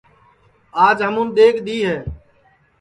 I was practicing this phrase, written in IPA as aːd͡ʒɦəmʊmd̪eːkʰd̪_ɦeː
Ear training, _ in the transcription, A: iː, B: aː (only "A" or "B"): A